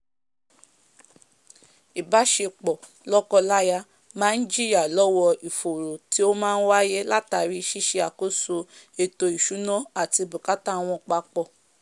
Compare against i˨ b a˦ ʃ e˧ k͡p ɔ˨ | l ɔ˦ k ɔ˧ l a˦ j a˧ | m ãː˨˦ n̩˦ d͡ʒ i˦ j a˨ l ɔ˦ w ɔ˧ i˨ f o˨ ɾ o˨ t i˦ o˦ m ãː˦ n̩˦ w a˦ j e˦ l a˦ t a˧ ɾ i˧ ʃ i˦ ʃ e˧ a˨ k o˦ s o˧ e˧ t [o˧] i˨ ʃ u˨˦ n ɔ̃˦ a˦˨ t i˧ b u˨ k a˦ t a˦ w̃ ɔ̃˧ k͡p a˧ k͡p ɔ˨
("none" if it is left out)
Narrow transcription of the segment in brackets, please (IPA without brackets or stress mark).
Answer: o˧